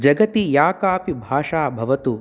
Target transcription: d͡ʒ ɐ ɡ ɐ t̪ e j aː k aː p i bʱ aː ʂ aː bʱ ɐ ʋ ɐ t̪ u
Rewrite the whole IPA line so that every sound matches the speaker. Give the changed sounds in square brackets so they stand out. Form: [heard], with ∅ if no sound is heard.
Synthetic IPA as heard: d͡ʒ ɐ ɡ ɐ t̪ [i] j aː k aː p i bʱ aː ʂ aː bʱ ɐ ʋ ɐ t̪ u